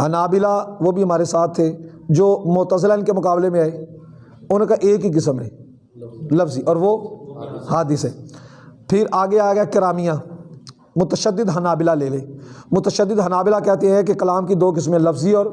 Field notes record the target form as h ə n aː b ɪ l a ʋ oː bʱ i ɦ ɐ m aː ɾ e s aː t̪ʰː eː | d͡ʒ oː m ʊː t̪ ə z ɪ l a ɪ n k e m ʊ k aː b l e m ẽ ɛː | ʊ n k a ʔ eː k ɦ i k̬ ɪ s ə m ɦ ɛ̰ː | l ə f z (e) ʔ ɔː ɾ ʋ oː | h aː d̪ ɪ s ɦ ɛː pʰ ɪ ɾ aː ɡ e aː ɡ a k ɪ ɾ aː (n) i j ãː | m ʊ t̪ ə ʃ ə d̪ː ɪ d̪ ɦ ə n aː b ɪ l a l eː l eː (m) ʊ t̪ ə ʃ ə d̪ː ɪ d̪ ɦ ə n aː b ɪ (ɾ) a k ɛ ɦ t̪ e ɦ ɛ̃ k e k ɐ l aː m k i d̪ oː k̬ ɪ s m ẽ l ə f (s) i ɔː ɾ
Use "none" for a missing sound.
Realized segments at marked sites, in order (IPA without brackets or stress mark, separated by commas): i, m, m, l, z